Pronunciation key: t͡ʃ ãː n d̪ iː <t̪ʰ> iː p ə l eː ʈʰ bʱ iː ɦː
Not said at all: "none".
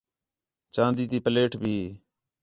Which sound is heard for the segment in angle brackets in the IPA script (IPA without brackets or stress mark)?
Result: t̪